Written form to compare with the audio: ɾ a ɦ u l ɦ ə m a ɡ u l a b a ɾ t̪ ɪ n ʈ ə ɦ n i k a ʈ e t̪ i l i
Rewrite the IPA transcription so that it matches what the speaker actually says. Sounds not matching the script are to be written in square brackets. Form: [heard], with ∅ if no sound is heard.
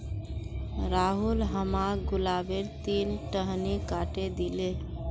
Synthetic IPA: ɾ a ɦ u l ɦ ə m a ɡ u l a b [e] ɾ t̪ [i] n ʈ ə ɦ n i k a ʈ e [d̪] i l [e]